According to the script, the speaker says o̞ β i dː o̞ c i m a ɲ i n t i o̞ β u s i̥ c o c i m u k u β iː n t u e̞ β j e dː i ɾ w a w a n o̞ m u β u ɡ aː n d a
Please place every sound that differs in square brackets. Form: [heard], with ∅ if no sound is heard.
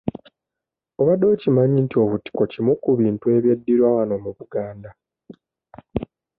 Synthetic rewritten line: o̞ β [a] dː o̞ c i m a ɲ i n t i o̞ β u [t] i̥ [k] o c i m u k u β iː n t u e̞ β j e dː i ɾ w a w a n o̞ m u β u ɡ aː n d a